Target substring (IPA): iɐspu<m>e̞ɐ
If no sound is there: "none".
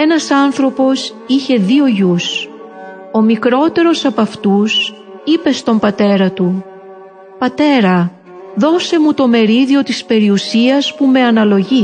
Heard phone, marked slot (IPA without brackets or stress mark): m